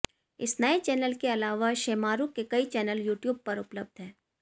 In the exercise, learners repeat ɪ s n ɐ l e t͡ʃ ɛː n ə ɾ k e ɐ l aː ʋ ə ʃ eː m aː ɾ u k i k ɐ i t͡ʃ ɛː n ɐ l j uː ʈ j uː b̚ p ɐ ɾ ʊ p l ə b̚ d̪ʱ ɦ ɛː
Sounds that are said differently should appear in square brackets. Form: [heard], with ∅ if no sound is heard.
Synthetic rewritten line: ɪ s n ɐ [∅] e t͡ʃ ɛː n ə [l] k e ɐ l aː ʋ [a] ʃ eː m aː ɾ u k [e] k ɐ i t͡ʃ ɛː n [ə] l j uː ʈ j uː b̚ p ɐ ɾ ʊ p l ə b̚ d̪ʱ ɦ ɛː

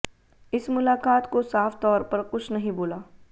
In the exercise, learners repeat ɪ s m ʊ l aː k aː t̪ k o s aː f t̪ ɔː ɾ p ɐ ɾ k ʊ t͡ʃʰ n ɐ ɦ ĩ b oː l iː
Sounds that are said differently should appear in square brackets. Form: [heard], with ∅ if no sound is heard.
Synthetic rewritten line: ɪ s m ʊ l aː k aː t̪ k o s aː f t̪ ɔː ɾ p ɐ ɾ k ʊ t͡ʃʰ n ɐ ɦ ĩ b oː l [aː]

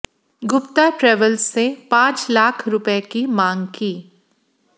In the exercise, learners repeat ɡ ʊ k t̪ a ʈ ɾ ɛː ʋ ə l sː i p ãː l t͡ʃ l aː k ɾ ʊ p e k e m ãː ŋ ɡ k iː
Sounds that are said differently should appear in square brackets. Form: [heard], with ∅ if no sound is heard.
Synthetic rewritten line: ɡ ʊ [p] t̪ a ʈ ɾ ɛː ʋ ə l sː [e] p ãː [∅] t͡ʃ l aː [kʰ] ɾ ʊ p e k [i] m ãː ŋ ɡ k iː

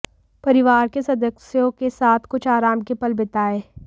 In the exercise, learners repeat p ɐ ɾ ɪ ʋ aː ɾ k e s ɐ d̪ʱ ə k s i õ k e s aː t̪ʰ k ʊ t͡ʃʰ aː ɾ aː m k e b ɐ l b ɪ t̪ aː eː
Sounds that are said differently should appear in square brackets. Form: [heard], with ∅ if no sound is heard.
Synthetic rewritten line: p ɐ ɾ ɪ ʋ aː ɾ k e s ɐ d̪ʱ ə k s [j] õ k e s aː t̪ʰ k ʊ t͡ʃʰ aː ɾ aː m k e [p] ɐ l b ɪ t̪ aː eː

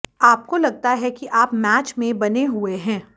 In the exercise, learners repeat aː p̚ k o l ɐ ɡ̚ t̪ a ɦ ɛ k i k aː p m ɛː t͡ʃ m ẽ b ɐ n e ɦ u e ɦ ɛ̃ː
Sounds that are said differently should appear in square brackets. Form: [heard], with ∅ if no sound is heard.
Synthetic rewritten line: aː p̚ k o l ɐ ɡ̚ t̪ a ɦ ɛ k i [ʔ] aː p m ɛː t͡ʃ m ẽ b ɐ n e ɦ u e ɦ ɛ̃ː

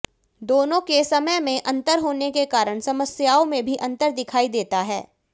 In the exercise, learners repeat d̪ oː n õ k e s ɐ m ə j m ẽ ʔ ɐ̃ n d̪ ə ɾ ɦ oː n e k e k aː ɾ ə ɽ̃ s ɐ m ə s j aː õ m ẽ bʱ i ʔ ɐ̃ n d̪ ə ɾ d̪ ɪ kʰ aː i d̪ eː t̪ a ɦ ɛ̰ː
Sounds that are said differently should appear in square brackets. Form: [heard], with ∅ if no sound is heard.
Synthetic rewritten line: d̪ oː n õ k e s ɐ m ə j m ẽ ʔ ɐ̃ n [t̪] ə ɾ ɦ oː n e k e k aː ɾ ə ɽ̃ s ɐ m ə s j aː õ m ẽ bʱ i ʔ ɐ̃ n [t̪] ə ɾ d̪ ɪ kʰ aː i d̪ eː t̪ a ɦ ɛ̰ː

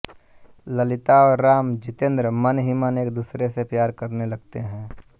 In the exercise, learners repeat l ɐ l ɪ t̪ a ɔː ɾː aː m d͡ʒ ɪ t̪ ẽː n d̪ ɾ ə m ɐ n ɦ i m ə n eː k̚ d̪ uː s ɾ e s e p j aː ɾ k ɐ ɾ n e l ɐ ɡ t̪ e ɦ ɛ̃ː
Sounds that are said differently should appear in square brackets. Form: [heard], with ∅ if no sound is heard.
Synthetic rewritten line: l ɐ l ɪ t̪ a ɔː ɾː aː m d͡ʒ ɪ t̪ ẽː n d̪ ɾ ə m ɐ n ɦ i m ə n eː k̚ d̪ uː s ɾ e s e p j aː ɾ k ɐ ɾ n e l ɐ ɡ t̪ e ɦ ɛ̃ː

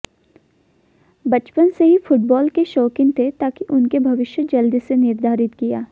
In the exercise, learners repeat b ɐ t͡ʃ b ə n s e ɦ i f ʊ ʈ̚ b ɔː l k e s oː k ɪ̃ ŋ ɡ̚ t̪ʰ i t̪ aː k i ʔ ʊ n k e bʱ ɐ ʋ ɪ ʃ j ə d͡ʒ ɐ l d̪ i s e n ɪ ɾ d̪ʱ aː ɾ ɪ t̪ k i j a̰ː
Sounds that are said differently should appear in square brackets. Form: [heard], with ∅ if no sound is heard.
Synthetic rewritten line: b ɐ t͡ʃ [p] ə n s e ɦ i f ʊ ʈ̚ b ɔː l k e [ʃ] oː k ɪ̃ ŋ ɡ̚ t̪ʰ [e] t̪ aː k i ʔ ʊ n k e bʱ ɐ ʋ ɪ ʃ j ə d͡ʒ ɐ l d̪ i s e n ɪ ɾ d̪ʱ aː ɾ ɪ t̪ k i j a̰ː

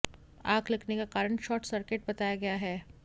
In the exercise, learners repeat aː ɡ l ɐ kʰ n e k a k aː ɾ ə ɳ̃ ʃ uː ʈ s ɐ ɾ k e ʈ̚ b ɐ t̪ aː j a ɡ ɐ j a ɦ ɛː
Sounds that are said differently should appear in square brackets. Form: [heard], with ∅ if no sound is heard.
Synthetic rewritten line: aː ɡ l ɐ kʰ n e k a k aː ɾ ə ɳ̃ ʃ [ɔː] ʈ s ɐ ɾ k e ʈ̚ b ɐ t̪ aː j a ɡ ɐ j a ɦ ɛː

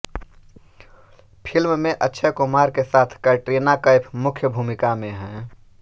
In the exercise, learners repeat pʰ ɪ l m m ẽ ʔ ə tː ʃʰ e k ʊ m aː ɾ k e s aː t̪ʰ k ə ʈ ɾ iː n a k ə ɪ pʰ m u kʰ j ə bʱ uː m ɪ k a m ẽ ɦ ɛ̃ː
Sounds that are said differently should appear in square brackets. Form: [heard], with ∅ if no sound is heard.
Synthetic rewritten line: pʰ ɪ l m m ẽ ʔ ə tː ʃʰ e k ʊ m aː ɾ k e s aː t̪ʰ k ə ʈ ɾ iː n a k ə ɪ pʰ m [ʊ] kʰ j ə bʱ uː m ɪ k a m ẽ ɦ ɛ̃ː

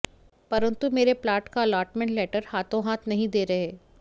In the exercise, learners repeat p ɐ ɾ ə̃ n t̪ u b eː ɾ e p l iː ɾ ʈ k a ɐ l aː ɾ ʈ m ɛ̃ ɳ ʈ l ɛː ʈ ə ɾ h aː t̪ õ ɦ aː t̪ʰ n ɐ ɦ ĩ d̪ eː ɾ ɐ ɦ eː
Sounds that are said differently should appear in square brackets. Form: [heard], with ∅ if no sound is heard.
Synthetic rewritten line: p ɐ ɾ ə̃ n t̪ u [m] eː ɾ e p l [aː] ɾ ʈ k a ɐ l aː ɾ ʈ m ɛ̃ ɳ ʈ l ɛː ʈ ə ɾ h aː t̪ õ ɦ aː t̪ʰ n ɐ ɦ ĩ d̪ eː ɾ ɐ ɦ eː

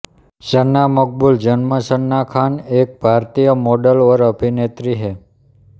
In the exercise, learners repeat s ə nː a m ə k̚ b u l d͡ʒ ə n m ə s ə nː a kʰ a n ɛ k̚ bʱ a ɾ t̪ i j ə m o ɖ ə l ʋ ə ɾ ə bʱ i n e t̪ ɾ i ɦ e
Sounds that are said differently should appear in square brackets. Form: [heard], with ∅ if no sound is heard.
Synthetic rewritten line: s ə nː a m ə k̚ b u l d͡ʒ ə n m ə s ə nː a kʰ a n [e] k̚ bʱ a ɾ t̪ i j ə m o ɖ ə l ʋ ə ɾ ə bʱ i n e t̪ ɾ i ɦ e

